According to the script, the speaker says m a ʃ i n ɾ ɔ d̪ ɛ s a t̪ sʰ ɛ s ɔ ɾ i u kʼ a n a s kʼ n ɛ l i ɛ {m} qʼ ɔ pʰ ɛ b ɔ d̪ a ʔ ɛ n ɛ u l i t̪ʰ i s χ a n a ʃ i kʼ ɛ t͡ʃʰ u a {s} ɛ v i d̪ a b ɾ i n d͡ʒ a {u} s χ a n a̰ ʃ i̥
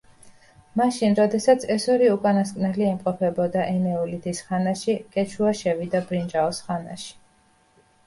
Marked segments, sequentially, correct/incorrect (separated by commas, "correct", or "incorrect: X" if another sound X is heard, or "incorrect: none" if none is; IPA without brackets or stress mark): correct, incorrect: ʃ, incorrect: ɔ